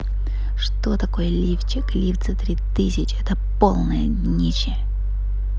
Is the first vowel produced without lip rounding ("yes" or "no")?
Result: no